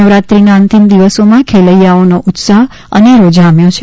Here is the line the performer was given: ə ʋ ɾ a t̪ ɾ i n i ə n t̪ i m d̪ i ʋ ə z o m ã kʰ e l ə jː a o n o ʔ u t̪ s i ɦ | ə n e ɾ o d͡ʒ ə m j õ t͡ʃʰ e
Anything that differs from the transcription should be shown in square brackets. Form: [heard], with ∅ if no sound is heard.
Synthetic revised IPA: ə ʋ ɾ a t̪ ɾ i n [a] ə n t̪ i m d̪ i ʋ ə [s] o m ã kʰ e l ə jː a o n o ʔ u t̪ s [a] ɦ | ə n e ɾ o d͡ʒ [a] m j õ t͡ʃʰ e